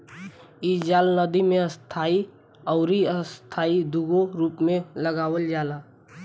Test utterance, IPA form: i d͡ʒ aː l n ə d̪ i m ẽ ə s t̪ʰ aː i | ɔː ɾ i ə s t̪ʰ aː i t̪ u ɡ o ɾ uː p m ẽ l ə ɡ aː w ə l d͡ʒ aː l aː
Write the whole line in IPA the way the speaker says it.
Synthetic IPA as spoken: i d͡ʒ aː l n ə d̪ i m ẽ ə s t̪ʰ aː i | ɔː ɾ i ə s t̪ʰ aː i d̪ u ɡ o ɾ uː p m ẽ l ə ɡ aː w ə l d͡ʒ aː l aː